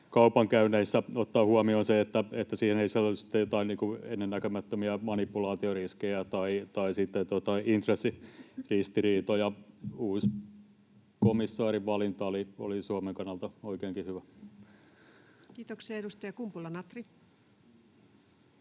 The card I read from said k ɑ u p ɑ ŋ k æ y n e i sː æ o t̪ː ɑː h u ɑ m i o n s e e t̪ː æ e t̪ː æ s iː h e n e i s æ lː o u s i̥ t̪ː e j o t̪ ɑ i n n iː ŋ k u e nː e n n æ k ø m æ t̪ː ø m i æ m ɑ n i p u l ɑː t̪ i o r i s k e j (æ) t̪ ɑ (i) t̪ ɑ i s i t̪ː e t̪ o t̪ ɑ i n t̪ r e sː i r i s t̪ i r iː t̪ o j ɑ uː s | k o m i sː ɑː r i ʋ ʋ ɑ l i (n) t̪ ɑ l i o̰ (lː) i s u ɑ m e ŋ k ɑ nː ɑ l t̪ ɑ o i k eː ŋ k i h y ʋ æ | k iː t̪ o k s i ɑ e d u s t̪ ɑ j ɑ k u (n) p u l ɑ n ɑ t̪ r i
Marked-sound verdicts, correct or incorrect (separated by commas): correct, correct, correct, incorrect, incorrect